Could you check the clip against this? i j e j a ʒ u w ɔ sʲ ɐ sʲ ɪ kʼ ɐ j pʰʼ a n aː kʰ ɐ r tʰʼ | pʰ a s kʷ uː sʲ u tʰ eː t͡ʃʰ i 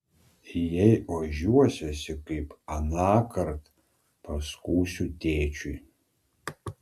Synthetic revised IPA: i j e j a ʒ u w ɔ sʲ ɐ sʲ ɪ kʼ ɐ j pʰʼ a n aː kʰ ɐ r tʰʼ | pʰ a s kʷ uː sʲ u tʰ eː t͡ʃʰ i